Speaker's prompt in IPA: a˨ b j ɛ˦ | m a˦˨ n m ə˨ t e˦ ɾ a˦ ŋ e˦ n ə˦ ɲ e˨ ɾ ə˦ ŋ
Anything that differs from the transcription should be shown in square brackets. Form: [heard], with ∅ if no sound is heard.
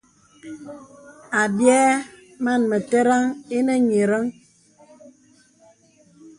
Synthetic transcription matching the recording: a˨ b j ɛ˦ | m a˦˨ n m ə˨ t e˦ ɾ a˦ ŋ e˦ n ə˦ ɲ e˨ ɾ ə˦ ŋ